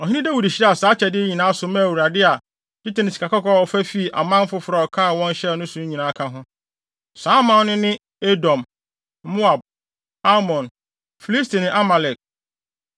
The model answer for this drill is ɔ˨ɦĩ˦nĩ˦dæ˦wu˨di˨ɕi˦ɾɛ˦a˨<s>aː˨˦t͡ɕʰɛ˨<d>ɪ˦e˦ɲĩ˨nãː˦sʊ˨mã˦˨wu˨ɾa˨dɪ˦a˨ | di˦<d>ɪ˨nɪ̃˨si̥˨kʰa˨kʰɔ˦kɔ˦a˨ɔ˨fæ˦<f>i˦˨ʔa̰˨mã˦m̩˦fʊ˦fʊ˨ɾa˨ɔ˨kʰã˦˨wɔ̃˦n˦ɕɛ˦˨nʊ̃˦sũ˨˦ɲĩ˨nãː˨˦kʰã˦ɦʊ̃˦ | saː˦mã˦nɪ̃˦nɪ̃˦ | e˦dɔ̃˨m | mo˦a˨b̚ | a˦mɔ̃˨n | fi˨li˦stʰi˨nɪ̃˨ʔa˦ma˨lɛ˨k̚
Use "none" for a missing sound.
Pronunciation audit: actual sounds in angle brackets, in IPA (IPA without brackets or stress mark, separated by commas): s, d, t, f